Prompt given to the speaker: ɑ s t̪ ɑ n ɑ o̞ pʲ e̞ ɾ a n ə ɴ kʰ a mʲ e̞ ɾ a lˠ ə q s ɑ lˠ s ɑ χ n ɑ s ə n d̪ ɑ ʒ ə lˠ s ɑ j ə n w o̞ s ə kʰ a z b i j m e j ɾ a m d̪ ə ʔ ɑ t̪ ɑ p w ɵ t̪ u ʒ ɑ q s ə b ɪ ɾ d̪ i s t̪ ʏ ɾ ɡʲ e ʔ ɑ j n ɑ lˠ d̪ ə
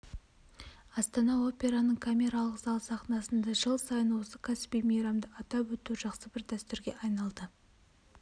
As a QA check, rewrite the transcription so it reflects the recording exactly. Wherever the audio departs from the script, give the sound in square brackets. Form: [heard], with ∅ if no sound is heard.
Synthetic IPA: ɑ s t̪ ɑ n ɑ o̞ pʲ e̞ ɾ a n ə ɴ kʰ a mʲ e̞ ɾ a lˠ ə q [z] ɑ lˠ s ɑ χ n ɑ s ə n d̪ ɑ ʒ ə lˠ s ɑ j ə n w o̞ s ə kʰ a [s] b i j m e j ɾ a m d̪ ə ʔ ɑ t̪ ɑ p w ɵ t̪ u ʒ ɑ q s ə b ɪ ɾ d̪ [æ] s t̪ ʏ ɾ ɡʲ e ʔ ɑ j n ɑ lˠ d̪ ə